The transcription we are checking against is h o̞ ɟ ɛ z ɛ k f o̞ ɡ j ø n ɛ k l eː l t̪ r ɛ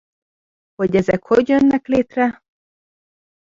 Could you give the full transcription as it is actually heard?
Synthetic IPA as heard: h o̞ ɟ ɛ z ɛ k h o̞ ɟ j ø nː ɛ k l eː t̪ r ɛ

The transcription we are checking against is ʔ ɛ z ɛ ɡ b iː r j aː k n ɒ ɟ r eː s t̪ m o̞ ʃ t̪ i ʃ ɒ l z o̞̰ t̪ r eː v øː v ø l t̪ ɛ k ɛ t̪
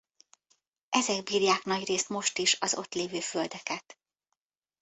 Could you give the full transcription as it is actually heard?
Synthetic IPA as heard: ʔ ɛ z ɛ ɡ b iː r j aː k n ɒ ɟ r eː s t̪ m o̞ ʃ t̪ i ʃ ɒ z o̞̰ t̪ l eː v øː f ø l d̪ ɛ k ɛ t̪

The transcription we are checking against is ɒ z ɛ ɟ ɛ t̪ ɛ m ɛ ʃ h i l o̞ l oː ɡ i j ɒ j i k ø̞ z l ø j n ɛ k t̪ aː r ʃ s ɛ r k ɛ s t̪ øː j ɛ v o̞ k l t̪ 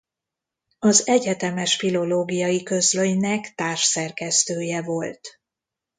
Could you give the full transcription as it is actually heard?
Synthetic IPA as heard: ɒ z ɛ ɟ ɛ t̪ ɛ m ɛ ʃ f i l o̞ l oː ɡ i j ɒ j i k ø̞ z l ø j n ɛ k t̪ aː r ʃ s ɛ r k ɛ s t̪ øː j ɛ v o̞ l t̪

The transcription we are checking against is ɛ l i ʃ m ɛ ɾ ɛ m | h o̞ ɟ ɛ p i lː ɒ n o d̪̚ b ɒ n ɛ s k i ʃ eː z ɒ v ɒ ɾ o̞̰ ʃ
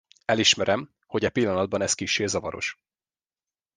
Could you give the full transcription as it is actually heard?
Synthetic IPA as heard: ɛ l i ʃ m ɛ ɾ ɛ m | h o̞ ɟ ɛ p i lː ɒ n ɒ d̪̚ b ɒ n ɛ s k i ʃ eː z ɒ v ɒ ɾ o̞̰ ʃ

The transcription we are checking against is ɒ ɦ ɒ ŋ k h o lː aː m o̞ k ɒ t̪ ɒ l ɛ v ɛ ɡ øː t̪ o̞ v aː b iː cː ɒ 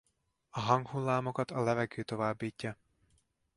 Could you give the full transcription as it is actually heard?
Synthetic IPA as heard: ɒ ɦ ɒ ŋ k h u lː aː m o̞ k ɒ t̪ ɒ l ɛ v ɛ ɡ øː t̪ o̞ v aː bː iː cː ɒ

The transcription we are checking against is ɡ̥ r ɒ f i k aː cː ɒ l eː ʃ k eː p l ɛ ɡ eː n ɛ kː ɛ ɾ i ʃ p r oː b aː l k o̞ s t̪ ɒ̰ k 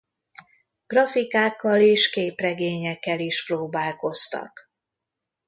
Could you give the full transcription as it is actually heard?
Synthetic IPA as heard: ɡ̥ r ɒ f i k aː kː ɒ l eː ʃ k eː p r ɛ ɡ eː ɲ ɛ kː ɛ l i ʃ p r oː b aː l k o̞ s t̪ ɒ̰ k

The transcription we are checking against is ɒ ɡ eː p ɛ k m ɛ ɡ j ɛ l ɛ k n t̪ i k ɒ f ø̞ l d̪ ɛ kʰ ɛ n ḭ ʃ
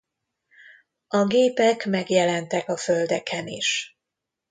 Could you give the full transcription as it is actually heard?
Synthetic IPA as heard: ɒ ɡ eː p ɛ k m ɛ ɡ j ɛ l ɛ n t̪ ɛ k ɒ f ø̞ l d̪ ɛ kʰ ɛ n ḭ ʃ

